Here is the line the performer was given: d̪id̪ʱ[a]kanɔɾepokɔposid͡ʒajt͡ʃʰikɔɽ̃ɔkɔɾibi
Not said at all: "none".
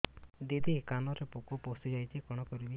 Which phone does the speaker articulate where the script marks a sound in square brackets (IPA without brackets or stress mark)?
i